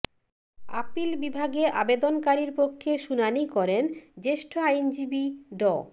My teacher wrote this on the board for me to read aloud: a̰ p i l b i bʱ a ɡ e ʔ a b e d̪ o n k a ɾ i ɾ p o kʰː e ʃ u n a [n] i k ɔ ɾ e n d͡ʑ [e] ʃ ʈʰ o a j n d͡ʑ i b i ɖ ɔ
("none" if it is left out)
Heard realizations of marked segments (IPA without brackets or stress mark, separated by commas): n, e